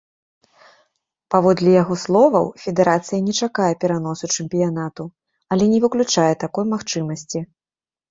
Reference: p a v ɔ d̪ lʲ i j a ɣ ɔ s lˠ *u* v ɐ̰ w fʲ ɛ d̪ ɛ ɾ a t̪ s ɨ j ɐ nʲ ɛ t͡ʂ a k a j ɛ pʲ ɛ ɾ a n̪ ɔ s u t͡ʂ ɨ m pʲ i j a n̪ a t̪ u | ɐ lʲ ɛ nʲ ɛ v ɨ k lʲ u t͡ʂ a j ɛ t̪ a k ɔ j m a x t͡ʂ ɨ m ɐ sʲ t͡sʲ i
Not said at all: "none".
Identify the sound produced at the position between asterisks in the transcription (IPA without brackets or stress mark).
ɔ